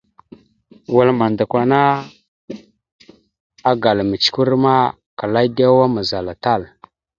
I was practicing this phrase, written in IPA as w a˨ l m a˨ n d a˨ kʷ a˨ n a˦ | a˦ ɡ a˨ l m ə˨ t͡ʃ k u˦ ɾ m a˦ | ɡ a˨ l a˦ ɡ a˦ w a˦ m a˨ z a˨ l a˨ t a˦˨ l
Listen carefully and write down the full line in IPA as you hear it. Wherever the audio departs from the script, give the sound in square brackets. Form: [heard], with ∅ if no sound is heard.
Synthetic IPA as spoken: w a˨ l m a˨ n d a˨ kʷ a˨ n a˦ | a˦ ɡ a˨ l m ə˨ t͡ʃ k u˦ ɾ m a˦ | [k] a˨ l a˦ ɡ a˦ w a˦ m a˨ z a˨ l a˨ t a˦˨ l

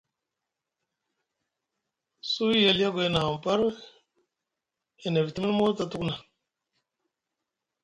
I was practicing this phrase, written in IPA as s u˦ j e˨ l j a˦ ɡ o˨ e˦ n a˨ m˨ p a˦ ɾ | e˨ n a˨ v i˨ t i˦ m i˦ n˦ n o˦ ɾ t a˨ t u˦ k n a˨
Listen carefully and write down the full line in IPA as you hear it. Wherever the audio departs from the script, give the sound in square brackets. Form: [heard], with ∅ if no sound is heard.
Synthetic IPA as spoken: s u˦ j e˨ l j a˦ ɡ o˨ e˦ n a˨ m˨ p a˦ ɾ | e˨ n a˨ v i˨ t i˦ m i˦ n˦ [m] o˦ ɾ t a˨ t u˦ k n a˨

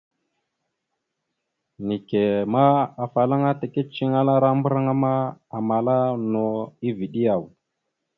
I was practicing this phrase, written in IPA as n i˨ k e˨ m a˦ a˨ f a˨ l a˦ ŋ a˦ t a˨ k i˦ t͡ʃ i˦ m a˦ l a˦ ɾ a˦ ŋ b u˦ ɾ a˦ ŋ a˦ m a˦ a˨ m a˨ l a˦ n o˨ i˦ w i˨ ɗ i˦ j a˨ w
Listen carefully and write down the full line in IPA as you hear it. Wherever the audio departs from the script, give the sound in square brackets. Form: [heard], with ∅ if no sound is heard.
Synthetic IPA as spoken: n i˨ k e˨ m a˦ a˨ f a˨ l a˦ ŋ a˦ t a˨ k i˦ t͡ʃ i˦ [ŋ] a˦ l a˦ ɾ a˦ [m] b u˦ ɾ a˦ ŋ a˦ m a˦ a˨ m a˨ l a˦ n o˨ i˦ [v] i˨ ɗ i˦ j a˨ w

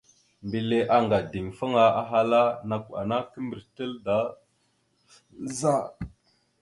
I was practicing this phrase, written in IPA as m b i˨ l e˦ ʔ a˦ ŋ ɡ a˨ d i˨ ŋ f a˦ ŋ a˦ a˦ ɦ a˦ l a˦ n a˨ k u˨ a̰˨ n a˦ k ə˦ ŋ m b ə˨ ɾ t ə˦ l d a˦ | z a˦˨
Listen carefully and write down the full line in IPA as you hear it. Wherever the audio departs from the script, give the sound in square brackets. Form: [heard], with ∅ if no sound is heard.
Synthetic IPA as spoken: m b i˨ l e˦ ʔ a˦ ŋ ɡ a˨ d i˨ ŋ f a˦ ŋ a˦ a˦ ɦ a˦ l a˦ n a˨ k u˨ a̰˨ n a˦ k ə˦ [∅] m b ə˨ ɾ t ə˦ l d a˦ | z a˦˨

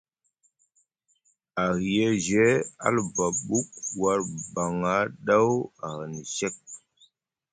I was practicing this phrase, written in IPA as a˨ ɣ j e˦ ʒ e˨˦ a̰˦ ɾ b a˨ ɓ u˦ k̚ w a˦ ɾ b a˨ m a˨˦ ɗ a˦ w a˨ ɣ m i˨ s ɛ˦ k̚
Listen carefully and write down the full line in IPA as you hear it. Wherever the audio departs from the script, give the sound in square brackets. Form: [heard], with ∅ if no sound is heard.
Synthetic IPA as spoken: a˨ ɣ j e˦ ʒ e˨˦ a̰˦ [l] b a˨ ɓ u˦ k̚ w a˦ ɾ b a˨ [ŋ] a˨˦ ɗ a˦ w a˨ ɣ [n] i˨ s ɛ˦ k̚

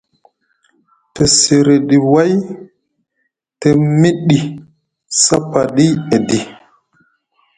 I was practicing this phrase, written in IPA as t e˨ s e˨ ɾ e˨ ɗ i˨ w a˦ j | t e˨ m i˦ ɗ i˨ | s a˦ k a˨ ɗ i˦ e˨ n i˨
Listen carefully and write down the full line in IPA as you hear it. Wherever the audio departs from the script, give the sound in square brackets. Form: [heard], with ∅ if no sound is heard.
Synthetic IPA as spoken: t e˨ s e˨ ɾ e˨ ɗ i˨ w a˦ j | t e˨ m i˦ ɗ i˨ | s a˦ [p] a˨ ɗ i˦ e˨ [d] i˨

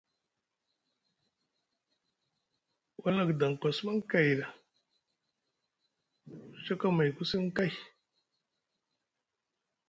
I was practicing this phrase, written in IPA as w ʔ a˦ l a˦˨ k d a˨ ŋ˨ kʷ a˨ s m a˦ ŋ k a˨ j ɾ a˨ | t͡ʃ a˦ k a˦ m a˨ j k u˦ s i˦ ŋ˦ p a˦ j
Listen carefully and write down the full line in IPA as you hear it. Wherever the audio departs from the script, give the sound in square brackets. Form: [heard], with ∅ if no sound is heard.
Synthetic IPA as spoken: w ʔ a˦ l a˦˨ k d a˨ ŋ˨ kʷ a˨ s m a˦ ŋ k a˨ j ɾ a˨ | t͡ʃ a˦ k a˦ m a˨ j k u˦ s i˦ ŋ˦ [k] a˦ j

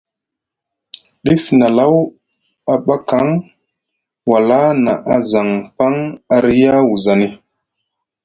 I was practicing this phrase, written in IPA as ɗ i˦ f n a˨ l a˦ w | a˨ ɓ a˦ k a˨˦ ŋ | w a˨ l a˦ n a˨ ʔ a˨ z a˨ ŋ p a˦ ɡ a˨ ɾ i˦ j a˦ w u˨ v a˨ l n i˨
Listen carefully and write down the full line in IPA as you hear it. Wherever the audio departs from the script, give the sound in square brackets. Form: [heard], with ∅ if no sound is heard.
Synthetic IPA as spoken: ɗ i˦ f n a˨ l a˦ w | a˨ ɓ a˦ k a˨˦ ŋ | w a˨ l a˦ n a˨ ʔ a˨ z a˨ ŋ p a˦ [ŋ] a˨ ɾ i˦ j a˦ w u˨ [z] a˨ [∅] n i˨

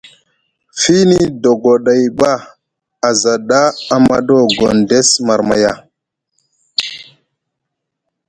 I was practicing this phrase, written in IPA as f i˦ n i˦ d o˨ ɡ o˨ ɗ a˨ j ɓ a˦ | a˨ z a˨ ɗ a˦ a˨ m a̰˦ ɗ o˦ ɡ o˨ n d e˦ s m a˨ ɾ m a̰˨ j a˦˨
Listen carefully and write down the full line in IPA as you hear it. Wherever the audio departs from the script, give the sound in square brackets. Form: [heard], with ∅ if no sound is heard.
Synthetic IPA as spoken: f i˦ n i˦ d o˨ ɡ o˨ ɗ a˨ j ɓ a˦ | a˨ z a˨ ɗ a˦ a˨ m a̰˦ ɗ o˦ ɡ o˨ n d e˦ s m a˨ ɾ m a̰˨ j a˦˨

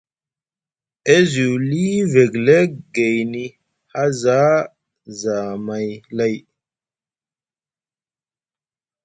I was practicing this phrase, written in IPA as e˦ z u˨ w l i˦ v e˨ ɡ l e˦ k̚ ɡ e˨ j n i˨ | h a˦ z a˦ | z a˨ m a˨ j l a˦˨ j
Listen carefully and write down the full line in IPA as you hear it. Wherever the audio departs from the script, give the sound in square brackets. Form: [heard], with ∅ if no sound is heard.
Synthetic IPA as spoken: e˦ z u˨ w l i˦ v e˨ ɡ l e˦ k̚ ɡ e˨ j n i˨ | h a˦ z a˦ | z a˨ m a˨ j l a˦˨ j

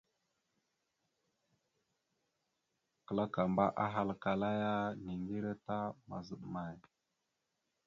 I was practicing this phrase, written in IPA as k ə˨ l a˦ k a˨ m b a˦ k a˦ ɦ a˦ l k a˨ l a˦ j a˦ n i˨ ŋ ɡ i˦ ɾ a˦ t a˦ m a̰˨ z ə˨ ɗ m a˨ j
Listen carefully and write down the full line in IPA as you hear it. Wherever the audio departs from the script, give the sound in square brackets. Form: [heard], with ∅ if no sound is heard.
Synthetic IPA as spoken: k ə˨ l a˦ k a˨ m b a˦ [ʔ] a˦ ɦ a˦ l k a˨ l a˦ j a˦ n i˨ ŋ ɡ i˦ ɾ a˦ t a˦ m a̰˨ z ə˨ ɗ m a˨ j

